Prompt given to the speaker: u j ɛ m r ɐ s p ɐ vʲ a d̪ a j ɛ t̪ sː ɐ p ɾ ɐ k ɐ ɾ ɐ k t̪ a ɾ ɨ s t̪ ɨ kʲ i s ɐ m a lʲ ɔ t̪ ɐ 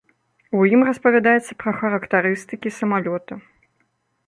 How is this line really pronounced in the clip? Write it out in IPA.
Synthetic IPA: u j i m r ɐ s p ɐ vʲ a d̪ a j ɛ t̪ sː ɐ p ɾ ɐ x ɐ ɾ ɐ k t̪ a ɾ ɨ s t̪ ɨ kʲ i s ɐ m a lʲ ɔ t̪ ɐ